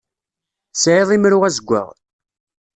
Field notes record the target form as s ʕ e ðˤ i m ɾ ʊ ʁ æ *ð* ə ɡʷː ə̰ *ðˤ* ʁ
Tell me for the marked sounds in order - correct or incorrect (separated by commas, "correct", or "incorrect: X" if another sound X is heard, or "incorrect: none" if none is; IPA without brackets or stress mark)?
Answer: incorrect: z, incorrect: none